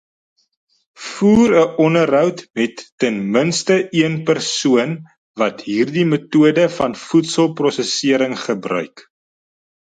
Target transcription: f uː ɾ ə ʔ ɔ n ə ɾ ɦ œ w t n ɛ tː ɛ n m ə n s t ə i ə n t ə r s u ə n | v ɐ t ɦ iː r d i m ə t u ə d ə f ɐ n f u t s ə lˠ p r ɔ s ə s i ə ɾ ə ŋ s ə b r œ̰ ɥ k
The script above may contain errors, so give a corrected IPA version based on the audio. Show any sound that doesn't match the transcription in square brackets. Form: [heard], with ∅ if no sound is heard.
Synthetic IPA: f uː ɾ ə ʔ ɔ n ə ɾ ɦ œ w t [m] ɛ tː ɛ n m ə n s t ə i ə n [p] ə r s u ə n | v ɐ t ɦ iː r d i m ə t u ə d ə f ɐ n f u t s ə lˠ p r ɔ s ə s i ə ɾ ə ŋ [χ] ə b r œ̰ ɥ k

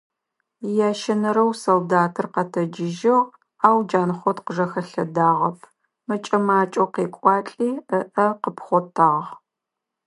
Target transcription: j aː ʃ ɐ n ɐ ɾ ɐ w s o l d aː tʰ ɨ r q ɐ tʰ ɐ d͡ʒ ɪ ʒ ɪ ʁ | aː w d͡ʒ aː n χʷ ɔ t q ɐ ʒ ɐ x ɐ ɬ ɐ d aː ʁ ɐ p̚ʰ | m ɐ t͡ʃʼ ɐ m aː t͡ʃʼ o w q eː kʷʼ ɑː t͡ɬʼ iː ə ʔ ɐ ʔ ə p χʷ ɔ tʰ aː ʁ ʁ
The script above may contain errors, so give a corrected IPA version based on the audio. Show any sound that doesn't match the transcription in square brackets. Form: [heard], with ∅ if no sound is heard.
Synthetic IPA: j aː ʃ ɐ n ɐ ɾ ɐ w s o l d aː tʰ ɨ r q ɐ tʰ ɐ d͡ʒ ɪ ʒ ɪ ʁ | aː w d͡ʒ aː n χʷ ɔ t q [ə] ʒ ɐ x ɐ ɬ ɐ d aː ʁ ɐ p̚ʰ | m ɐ t͡ʃʼ ɐ m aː t͡ʃʼ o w q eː kʷʼ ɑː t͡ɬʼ iː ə ʔ ɐ [q] ə p χʷ ɔ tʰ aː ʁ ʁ

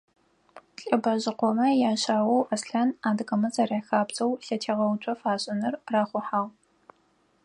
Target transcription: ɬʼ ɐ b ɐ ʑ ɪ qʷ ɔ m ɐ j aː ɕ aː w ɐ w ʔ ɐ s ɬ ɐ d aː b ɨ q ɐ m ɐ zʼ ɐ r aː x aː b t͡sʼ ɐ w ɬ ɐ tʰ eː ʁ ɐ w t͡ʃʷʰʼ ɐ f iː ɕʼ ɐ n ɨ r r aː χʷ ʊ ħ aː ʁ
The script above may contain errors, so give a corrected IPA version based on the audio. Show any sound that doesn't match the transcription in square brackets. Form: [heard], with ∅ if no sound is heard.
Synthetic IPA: ɬʼ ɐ b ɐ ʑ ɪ qʷ ɔ m ɐ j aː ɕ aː w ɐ w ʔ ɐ s ɬ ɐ [n] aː [d] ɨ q ɐ m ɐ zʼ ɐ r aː x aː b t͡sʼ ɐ w ɬ ɐ tʰ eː ʁ ɐ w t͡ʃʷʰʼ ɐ f [aː] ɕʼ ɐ n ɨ r r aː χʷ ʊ ħ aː ʁ

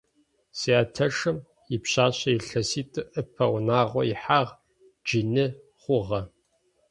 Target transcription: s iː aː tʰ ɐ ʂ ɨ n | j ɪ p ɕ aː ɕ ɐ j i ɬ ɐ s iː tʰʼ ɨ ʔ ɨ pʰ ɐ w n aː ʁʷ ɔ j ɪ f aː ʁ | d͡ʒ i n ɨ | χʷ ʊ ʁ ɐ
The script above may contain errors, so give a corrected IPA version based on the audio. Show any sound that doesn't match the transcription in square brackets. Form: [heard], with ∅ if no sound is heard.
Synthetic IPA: s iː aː tʰ ɐ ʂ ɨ [m] | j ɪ p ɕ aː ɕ ɐ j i ɬ ɐ s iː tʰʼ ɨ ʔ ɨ pʰ ɐ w n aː ʁʷ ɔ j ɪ [ħ] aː ʁ | d͡ʒ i n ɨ | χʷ ʊ ʁ ɐ

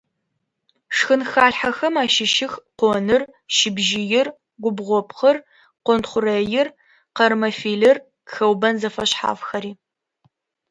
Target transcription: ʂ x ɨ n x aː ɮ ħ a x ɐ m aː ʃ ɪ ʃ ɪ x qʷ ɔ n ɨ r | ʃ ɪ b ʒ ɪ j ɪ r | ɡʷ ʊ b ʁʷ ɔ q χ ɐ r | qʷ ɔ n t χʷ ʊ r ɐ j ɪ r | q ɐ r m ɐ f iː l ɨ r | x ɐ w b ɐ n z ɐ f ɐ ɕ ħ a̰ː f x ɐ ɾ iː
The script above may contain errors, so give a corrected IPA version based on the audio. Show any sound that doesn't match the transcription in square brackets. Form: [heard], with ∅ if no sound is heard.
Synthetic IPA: ʂ x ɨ n x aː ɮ ħ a x ɐ m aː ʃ ɪ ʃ ɪ x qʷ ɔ n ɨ r | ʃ ɪ b ʒ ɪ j ɪ r | ɡʷ ʊ b ʁʷ ɔ [p] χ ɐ r | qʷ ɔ n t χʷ ʊ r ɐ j ɪ r | q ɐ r m ɐ f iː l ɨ r | x ɐ w b ɐ n z ɐ f ɐ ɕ ħ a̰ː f x ɐ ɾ iː

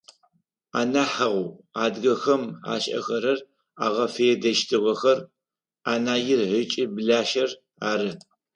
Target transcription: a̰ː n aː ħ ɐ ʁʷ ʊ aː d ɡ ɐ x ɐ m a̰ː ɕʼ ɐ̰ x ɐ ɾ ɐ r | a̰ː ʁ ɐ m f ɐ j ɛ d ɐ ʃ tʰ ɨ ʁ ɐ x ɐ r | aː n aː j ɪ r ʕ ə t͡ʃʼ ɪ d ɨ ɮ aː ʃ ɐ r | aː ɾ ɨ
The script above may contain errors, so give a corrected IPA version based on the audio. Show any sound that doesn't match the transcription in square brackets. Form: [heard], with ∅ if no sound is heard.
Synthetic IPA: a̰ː n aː ħ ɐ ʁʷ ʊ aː d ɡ ɐ x ɐ m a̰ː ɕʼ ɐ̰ x ɐ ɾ ɐ r | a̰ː ʁ ɐ [∅] f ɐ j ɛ d ɐ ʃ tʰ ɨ ʁ ɐ x ɐ r | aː n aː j ɪ r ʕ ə t͡ʃʼ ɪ [b] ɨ ɮ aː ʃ ɐ r | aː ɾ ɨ

